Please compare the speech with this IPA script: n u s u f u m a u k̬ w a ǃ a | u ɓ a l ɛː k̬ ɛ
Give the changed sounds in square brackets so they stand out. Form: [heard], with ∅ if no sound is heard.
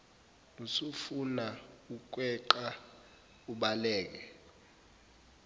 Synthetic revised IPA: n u s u f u [n] a u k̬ w [ɛ] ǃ a | u ɓ a l ɛː k̬ ɛ